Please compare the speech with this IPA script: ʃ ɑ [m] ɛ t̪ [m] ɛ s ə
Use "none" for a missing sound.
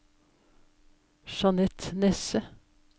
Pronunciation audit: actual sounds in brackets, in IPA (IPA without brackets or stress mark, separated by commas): n, n